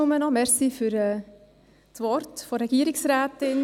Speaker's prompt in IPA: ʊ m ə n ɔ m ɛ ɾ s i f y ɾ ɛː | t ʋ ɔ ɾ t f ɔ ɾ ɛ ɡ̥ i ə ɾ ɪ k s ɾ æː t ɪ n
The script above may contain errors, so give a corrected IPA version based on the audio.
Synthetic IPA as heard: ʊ m ə n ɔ m ɛ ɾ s i f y ɾ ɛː | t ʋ ɔ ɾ t f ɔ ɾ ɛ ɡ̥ i ə ɾ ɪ k s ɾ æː t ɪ n